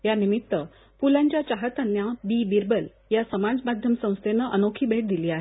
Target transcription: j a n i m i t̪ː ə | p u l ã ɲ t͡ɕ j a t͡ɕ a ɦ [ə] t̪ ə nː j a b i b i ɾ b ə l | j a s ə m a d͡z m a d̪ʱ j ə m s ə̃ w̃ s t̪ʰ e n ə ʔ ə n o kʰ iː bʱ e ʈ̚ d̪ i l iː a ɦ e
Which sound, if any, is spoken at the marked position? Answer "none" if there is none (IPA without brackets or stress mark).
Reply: ə